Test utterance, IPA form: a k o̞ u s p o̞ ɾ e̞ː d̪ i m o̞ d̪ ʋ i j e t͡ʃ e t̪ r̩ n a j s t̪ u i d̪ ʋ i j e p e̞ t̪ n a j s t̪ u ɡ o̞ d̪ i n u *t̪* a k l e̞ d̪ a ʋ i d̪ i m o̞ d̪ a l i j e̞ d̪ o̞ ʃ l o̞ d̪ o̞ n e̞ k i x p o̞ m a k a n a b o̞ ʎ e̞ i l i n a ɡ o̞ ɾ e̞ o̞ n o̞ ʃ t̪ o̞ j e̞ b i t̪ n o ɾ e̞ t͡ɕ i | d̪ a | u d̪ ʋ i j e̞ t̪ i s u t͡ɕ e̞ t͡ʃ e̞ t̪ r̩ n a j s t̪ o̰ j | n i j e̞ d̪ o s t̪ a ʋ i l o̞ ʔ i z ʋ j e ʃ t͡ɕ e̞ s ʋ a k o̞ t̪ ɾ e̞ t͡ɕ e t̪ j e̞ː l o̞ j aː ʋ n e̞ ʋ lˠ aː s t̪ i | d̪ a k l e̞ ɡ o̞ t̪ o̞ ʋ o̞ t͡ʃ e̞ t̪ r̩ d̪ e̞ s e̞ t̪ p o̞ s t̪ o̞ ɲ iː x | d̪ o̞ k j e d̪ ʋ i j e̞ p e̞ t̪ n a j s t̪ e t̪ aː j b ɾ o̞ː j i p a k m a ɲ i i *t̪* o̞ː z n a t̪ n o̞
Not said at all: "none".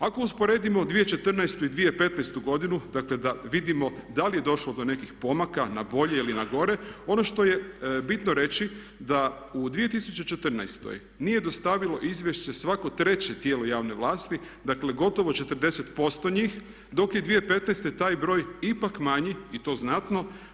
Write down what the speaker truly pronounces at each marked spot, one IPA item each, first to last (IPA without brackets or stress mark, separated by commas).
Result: d̪, t̪